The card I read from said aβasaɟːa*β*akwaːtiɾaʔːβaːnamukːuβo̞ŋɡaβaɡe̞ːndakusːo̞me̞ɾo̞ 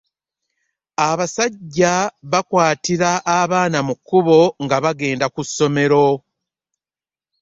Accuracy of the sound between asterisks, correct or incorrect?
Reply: correct